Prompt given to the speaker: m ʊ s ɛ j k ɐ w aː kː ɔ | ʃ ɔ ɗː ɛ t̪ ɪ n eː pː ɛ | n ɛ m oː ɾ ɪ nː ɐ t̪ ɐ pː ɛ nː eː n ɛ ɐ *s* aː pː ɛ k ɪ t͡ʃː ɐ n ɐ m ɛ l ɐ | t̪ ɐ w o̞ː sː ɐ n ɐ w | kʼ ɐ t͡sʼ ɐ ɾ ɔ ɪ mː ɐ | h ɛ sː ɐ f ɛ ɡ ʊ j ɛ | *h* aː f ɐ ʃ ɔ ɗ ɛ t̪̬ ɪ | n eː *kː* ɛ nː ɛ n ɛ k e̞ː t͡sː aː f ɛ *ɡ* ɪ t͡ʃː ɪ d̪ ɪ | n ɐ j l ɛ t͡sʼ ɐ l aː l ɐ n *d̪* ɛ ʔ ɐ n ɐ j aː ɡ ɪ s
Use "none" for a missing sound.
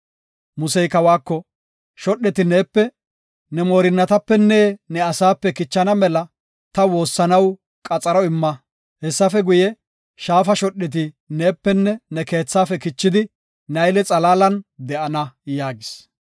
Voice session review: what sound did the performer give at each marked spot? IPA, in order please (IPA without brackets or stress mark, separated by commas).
s, ʃ, pː, k, d̪